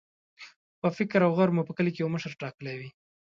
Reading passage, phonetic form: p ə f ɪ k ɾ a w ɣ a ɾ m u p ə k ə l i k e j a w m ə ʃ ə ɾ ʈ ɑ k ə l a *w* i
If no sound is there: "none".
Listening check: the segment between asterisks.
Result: w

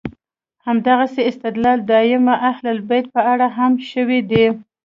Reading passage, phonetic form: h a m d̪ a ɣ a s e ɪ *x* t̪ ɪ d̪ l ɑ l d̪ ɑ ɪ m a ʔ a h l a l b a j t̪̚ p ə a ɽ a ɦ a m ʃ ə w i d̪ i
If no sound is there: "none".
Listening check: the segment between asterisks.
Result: s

